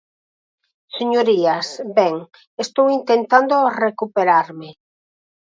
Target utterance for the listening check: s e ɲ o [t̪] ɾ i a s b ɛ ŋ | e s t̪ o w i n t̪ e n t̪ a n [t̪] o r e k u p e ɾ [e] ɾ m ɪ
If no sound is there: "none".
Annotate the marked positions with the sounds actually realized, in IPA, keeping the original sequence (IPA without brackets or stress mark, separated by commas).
none, d̪, a